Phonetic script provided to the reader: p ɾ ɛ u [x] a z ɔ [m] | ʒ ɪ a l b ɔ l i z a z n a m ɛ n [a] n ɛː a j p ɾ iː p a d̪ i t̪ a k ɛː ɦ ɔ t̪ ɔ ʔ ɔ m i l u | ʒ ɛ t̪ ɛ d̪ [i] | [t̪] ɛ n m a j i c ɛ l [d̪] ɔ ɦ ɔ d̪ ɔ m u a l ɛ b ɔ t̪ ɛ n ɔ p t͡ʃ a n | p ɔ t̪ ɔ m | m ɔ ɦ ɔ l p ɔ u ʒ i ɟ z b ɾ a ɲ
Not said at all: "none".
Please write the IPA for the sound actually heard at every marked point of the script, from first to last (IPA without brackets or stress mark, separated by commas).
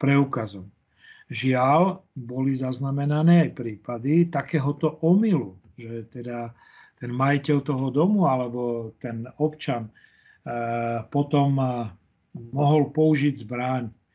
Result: k, m, a, a, t̪, t̪